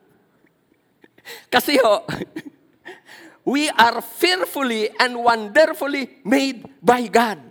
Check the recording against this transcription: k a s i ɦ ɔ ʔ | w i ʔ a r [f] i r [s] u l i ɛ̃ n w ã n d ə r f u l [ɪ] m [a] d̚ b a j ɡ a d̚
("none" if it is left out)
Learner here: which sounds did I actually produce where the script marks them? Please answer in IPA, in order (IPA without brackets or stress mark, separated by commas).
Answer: f, f, i, e